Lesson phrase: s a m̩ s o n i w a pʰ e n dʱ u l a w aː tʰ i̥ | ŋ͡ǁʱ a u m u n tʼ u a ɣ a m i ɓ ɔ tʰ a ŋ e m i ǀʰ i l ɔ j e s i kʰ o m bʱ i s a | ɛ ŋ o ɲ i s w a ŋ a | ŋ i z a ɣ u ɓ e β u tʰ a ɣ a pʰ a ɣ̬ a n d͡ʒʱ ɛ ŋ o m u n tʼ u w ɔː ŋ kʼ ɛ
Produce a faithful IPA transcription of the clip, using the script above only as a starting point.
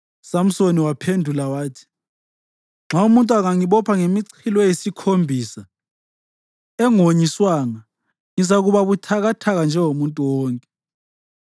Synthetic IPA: s a m̩ s o n i w a pʰ e n dʱ u l a w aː tʰ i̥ | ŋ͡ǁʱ a u m u n tʼ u a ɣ a ŋ i ɓ ɔ pʰ a ŋ e m i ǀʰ i l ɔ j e s i kʰ o m bʱ i s a | ɛ ŋ o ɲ i s w a ŋ a | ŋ i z a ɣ u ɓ a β u tʰ a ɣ a tʰ a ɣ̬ a n d͡ʒʱ ɛ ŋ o m u n tʼ u w ɔː ŋ kʼ ɛ